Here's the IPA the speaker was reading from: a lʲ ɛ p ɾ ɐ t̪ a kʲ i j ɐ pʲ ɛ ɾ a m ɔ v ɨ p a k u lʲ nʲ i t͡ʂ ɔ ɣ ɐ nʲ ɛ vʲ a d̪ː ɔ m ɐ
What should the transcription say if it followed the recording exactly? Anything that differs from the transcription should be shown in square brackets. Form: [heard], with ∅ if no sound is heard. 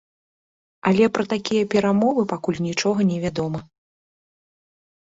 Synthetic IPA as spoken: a lʲ ɛ p ɾ ɐ t̪ a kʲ i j ɐ pʲ ɛ ɾ a m ɔ v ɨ p a k u lʲ nʲ i t͡ʂ ɔ ɣ ɐ nʲ ɛ vʲ a [d̪] ɔ m ɐ